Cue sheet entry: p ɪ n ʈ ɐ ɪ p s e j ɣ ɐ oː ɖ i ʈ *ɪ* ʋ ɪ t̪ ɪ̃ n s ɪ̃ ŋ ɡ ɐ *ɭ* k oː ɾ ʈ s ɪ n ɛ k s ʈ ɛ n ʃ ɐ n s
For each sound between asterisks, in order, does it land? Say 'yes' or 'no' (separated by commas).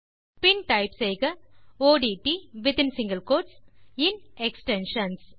no, no